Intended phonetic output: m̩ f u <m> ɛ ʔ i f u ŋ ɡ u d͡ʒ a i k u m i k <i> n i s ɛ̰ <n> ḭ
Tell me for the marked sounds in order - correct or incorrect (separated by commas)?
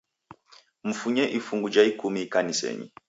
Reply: incorrect, incorrect, incorrect